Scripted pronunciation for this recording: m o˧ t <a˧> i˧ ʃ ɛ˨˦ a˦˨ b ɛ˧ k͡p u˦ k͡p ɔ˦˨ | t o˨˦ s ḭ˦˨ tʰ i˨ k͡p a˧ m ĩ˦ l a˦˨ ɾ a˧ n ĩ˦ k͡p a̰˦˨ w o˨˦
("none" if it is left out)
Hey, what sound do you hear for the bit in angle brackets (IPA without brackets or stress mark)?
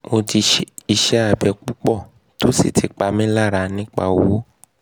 i˧